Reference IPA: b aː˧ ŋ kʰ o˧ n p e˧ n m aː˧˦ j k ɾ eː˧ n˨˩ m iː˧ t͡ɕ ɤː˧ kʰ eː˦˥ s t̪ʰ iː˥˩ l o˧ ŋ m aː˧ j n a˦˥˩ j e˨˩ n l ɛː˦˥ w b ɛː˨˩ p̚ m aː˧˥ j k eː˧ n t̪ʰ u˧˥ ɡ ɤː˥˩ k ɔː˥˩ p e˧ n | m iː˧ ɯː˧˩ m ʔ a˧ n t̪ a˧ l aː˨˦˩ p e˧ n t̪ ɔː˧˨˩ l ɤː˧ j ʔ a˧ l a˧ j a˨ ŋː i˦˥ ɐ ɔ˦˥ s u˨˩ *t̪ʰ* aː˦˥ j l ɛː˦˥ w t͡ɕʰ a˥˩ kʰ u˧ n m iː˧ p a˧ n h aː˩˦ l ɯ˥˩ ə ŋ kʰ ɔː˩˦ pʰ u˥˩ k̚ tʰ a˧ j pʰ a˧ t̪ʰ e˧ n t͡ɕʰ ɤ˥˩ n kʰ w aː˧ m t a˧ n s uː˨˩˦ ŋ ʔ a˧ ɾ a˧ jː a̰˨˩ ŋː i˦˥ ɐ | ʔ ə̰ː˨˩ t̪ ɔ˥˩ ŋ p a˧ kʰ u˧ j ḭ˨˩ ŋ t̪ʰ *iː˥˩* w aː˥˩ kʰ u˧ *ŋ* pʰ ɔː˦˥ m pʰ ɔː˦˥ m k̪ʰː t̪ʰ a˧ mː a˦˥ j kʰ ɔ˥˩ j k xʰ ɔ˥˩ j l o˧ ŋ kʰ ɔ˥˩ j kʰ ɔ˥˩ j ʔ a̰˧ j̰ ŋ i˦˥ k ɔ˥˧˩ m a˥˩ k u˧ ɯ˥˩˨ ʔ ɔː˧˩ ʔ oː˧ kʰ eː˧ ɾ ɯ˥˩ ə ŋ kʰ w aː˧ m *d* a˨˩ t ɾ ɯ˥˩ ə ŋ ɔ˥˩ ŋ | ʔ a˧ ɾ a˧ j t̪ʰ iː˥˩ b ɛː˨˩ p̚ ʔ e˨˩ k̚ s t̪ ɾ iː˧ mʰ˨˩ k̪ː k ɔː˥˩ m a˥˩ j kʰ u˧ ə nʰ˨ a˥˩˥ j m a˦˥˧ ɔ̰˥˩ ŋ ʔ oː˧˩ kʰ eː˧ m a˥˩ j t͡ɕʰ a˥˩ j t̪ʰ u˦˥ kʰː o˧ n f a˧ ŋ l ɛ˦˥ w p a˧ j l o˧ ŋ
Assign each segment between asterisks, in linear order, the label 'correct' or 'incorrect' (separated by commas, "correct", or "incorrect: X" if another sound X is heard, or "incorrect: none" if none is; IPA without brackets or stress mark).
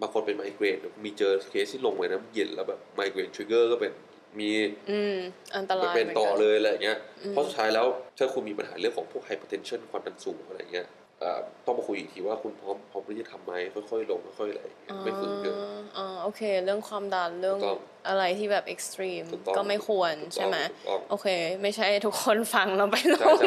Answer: correct, incorrect: iː˧, incorrect: n, correct